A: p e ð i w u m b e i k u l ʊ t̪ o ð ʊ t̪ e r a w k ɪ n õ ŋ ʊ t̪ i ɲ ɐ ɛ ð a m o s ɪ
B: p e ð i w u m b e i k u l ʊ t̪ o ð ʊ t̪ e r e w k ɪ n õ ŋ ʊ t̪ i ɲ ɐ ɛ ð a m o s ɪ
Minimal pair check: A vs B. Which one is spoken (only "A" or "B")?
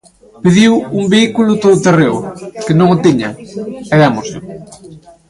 B